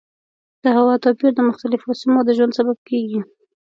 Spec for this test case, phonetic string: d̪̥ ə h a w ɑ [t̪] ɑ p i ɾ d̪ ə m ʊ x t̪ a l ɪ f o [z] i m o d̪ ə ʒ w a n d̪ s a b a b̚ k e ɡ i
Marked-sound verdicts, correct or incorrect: correct, incorrect

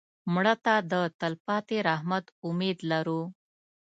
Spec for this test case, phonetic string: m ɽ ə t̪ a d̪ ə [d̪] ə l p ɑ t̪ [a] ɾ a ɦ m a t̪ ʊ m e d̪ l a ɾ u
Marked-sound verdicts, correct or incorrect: incorrect, incorrect

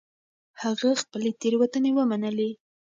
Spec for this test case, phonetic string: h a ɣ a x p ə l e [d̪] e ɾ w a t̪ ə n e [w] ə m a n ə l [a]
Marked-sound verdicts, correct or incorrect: incorrect, correct, incorrect

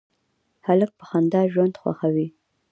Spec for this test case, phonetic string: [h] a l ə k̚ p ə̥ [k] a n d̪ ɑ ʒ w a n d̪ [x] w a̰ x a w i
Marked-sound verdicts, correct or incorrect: correct, incorrect, correct

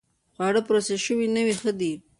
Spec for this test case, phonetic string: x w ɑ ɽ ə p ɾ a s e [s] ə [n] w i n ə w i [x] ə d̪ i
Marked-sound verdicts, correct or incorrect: incorrect, incorrect, correct

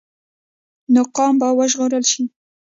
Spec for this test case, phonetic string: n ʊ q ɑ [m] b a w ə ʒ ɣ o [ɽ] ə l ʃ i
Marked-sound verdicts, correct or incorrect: correct, incorrect

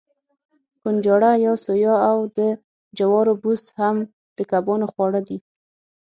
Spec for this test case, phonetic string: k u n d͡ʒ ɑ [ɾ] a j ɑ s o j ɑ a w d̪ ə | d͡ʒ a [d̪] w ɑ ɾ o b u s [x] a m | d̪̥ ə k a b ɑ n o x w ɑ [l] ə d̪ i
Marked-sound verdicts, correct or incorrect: incorrect, incorrect, incorrect, incorrect

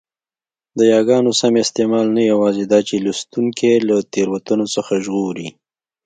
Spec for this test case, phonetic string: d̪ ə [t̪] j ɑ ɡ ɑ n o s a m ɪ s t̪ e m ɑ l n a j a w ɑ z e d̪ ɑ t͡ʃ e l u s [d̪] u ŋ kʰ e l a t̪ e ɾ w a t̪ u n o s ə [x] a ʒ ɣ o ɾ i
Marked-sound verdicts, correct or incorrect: incorrect, incorrect, correct

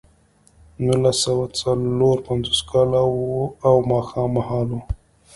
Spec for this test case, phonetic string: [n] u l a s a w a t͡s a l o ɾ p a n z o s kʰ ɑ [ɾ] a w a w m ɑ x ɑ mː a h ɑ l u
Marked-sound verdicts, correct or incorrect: correct, incorrect

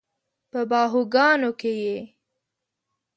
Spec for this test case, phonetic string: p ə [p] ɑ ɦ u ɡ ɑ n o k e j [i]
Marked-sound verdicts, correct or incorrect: incorrect, incorrect

